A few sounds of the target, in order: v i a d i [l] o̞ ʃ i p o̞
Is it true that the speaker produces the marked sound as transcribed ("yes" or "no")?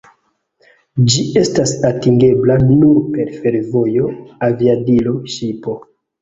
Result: yes